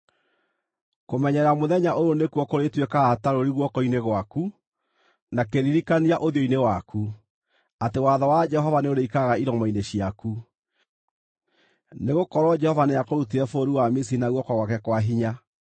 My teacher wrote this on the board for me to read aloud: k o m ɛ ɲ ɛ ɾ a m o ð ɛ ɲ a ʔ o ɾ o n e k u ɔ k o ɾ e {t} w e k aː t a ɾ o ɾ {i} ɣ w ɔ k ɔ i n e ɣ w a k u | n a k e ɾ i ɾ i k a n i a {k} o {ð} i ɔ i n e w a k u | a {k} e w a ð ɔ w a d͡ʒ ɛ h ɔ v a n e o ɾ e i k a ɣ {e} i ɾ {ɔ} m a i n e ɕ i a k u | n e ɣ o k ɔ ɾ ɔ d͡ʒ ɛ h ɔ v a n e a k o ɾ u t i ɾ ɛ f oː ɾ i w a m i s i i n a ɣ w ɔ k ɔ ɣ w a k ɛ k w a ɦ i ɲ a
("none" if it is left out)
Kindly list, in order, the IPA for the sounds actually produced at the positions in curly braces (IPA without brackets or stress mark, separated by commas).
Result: t, i, ʔ, ð, t, a, ɔ